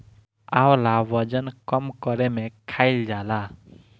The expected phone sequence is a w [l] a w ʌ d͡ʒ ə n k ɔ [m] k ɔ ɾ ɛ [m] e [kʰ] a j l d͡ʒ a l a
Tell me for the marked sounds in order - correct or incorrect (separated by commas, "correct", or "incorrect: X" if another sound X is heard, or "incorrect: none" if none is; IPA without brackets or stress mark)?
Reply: correct, correct, correct, correct